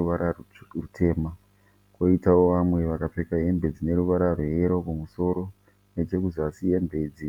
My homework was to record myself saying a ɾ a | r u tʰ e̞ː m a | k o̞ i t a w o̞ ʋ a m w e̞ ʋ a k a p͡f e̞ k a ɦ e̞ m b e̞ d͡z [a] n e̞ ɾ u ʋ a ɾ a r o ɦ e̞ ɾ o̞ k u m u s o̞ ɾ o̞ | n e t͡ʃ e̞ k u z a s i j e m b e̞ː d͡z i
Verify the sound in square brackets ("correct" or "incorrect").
incorrect